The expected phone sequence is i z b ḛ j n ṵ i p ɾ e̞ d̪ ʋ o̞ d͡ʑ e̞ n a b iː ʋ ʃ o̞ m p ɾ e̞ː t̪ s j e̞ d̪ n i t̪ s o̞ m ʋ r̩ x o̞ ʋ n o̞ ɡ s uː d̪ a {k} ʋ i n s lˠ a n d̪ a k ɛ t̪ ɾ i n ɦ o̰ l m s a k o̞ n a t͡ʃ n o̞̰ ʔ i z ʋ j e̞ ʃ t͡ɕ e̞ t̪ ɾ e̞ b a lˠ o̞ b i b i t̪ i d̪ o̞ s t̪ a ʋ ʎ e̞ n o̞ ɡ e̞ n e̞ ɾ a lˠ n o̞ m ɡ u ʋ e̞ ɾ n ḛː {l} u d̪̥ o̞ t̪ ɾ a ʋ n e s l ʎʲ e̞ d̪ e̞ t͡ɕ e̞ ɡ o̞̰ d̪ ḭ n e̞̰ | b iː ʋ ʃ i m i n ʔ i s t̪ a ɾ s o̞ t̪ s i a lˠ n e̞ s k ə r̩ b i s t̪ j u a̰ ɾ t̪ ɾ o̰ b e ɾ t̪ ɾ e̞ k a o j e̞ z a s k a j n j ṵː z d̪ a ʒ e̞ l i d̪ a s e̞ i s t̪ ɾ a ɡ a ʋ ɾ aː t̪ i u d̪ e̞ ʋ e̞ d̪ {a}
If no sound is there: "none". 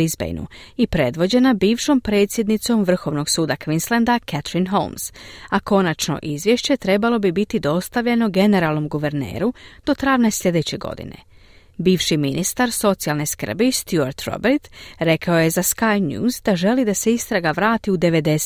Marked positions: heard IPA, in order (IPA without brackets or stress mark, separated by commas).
k, ɾ, e